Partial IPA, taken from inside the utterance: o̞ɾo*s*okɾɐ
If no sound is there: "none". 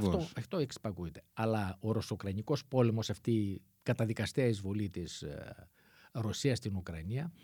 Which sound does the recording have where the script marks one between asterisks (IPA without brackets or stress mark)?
s